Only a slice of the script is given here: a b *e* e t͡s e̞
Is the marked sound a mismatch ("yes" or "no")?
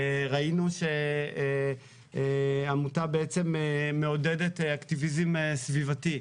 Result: no